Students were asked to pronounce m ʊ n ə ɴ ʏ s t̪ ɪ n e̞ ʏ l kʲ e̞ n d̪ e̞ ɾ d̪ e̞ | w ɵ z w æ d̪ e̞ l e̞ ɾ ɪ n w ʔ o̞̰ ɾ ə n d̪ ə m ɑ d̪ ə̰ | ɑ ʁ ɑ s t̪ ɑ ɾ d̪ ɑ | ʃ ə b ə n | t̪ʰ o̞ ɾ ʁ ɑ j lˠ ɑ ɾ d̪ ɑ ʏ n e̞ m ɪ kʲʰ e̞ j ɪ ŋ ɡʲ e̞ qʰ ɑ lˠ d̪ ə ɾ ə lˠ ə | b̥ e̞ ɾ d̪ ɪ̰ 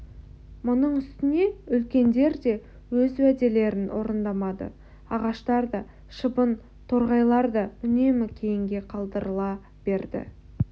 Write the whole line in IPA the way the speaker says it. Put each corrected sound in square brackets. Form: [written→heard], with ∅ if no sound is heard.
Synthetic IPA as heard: m ʊ n ə ɴ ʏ s t̪ ɪ n e̞ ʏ l kʲ e̞ n d̪ e̞ ɾ d̪ e̞ | w ɵ z w æ d̪ e̞ l e̞ ɾ ɪ n w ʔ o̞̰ ɾ ə n d̪ [ə→ɑ] m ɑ d̪ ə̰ | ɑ ʁ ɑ [s→ʃ] t̪ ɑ ɾ d̪ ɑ | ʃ ə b ə n | t̪ʰ o̞ ɾ ʁ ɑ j lˠ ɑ ɾ d̪ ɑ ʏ n e̞ m ɪ kʲʰ e̞ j ɪ ŋ ɡʲ e̞ qʰ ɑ lˠ d̪ ə ɾ ə lˠ [ə→ɑ] | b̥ e̞ ɾ d̪ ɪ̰